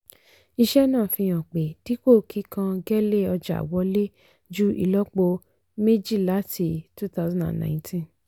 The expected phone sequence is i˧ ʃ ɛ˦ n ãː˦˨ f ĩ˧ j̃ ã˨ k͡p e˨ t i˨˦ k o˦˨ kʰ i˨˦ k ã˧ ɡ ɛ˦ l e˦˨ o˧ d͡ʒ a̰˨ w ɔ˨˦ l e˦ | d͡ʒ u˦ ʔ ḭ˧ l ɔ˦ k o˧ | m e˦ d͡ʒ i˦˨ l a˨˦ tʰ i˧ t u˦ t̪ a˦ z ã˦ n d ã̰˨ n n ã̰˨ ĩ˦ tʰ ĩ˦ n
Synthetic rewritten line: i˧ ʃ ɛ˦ n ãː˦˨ f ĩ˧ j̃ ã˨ k͡p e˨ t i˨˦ k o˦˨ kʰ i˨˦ k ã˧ ɡ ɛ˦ l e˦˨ ɔ˧ d͡ʒ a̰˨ w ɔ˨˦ l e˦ | d͡ʒ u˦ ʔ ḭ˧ l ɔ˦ k͡p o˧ | m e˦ d͡ʒ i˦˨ l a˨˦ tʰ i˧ t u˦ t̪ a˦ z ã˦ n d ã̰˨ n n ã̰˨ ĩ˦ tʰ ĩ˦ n